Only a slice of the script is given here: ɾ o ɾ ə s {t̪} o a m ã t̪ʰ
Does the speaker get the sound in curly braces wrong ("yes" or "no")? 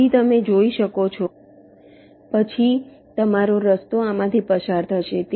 no